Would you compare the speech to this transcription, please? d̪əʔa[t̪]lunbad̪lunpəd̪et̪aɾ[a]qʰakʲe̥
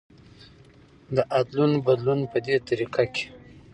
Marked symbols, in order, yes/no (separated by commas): no, no